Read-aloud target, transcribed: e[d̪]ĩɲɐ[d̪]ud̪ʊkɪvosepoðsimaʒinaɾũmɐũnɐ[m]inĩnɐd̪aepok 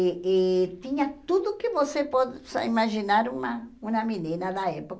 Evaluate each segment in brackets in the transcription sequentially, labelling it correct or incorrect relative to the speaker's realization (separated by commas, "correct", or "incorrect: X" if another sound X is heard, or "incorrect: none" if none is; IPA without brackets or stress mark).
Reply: incorrect: t̪, incorrect: t̪, correct